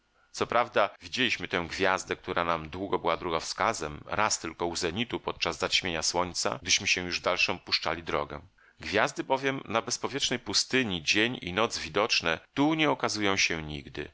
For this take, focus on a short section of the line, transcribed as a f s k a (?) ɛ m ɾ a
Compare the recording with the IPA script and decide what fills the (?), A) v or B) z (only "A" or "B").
B